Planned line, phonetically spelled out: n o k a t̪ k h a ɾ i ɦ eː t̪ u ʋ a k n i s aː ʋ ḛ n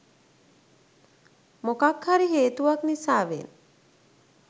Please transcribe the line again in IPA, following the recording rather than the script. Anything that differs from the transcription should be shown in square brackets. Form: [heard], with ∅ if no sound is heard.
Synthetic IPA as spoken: [m] o k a [∅] k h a ɾ i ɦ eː t̪ u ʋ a k n i s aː ʋ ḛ n